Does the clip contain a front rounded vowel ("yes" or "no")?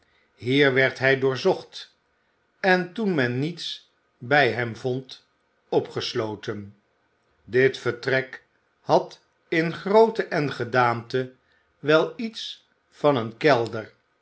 no